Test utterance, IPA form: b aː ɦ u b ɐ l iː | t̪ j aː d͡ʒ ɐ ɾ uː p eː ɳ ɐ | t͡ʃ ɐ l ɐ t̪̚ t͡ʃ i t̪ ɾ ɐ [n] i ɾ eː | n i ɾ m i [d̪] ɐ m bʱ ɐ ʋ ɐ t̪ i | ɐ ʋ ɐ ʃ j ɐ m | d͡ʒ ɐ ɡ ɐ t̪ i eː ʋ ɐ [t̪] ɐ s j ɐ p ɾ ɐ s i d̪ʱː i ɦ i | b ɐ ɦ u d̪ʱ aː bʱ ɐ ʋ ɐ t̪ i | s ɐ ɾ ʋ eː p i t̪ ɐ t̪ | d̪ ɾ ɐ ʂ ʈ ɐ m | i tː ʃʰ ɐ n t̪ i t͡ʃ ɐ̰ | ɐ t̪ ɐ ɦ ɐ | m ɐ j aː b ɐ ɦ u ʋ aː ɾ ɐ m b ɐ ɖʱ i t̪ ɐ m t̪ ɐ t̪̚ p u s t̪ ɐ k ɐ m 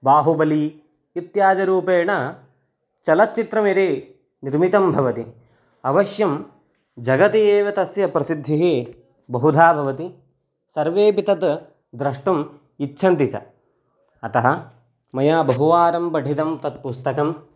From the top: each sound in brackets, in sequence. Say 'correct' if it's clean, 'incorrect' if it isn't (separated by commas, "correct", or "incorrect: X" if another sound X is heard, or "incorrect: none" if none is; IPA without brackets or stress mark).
incorrect: m, incorrect: t̪, correct